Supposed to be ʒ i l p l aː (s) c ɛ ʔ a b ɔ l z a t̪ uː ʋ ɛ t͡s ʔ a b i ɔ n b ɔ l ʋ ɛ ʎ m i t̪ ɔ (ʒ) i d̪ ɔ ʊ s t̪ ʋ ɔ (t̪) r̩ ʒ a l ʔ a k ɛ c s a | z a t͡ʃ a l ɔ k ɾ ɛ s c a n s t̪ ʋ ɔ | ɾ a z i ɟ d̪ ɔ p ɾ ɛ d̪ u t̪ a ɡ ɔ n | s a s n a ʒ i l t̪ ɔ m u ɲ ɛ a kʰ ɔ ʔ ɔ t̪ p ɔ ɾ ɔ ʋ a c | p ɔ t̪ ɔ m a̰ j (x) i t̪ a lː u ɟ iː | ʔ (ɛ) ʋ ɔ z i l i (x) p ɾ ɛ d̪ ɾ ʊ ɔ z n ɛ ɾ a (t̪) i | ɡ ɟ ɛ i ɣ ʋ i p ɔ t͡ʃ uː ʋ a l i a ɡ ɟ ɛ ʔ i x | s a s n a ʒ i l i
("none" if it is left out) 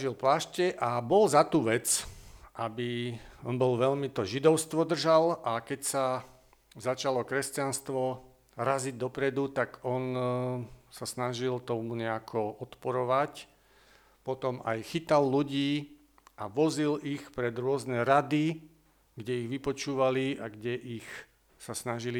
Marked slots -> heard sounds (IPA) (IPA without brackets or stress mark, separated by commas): ʃ, ʒ, d̪, x, a, x, d̪